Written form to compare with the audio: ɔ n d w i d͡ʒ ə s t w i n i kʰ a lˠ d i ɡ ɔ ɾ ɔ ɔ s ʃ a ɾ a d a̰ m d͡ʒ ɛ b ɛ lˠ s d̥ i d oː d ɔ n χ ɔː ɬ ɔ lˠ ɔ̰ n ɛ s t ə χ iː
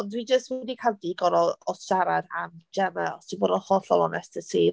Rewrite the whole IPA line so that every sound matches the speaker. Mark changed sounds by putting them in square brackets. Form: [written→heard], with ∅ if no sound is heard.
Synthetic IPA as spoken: ɔ n d w i d͡ʒ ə s t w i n i kʰ a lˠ d i ɡ ɔ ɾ ɔ ɔ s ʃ a ɾ a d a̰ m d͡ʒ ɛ [b→m] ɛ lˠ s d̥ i [d→b] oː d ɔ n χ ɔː ɬ ɔ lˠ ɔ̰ n ɛ s t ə [χ→s] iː